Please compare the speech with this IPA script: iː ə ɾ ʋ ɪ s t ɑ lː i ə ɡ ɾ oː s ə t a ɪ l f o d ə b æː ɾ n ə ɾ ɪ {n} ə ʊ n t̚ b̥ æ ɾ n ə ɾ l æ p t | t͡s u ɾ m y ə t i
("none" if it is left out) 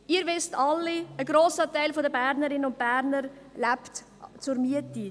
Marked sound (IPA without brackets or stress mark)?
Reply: n